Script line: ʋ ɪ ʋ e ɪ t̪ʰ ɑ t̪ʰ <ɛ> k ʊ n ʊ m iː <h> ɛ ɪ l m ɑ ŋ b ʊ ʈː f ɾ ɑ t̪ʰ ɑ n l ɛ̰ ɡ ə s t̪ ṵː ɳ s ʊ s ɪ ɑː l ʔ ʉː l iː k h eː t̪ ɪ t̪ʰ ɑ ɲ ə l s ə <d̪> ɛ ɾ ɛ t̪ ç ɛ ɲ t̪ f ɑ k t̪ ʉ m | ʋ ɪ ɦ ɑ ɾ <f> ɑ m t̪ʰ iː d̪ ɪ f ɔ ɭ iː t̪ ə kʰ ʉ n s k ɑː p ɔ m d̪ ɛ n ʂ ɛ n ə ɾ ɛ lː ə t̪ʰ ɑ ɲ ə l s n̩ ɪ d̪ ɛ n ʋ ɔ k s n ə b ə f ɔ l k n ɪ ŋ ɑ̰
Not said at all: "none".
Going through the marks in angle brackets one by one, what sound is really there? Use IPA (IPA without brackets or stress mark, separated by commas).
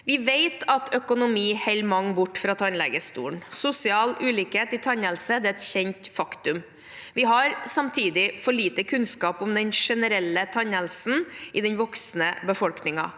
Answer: œ, h, d̪, s